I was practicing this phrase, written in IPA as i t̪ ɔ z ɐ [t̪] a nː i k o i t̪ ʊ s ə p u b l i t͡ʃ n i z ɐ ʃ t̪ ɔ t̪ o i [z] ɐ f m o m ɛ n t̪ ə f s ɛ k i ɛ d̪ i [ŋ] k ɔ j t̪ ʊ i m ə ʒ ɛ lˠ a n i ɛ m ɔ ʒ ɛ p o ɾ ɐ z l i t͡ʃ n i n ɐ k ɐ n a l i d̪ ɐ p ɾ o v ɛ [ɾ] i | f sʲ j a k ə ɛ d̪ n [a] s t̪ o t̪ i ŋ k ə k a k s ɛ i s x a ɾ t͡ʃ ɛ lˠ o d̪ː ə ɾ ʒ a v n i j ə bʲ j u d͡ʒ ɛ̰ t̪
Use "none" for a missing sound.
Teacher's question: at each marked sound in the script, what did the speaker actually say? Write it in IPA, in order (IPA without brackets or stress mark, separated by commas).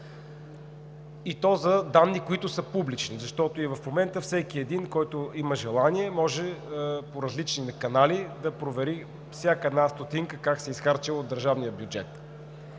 d̪, v, n, ɾ, a